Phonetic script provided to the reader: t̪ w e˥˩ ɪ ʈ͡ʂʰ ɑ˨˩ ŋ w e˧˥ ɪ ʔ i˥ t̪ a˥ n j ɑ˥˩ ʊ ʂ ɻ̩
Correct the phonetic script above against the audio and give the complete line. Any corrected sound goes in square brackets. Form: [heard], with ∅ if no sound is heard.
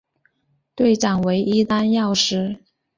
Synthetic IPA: t̪ w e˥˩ ɪ [ʈ͡ʂ] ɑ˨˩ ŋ w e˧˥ ɪ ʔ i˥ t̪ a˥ n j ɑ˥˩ ʊ ʂ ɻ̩